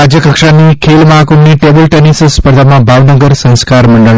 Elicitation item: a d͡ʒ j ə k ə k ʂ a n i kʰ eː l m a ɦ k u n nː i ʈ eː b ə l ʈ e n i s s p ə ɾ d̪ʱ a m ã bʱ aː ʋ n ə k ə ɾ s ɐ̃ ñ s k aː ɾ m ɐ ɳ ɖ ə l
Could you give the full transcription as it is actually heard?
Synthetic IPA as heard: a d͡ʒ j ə k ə k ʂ a n i kʰ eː l m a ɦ k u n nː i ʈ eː b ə l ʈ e n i s s p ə ɾ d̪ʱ a m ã bʱ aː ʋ n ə ɡ ə ɾ s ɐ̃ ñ s k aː ɾ m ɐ ɳ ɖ ə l